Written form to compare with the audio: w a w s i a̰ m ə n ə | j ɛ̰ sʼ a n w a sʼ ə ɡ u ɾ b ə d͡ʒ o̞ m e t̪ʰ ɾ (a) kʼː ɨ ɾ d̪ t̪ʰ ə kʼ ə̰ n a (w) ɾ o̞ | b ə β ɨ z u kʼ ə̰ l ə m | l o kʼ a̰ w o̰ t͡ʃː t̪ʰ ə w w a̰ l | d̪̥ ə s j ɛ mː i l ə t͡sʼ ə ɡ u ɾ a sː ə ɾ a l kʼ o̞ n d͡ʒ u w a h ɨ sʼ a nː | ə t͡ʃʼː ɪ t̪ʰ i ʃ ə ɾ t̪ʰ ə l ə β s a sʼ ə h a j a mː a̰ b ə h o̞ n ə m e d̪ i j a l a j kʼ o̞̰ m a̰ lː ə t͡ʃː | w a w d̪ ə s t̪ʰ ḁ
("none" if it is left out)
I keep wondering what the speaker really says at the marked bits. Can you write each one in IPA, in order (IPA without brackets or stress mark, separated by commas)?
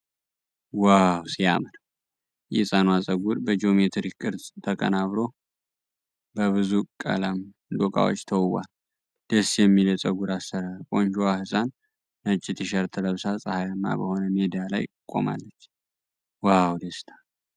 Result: i, β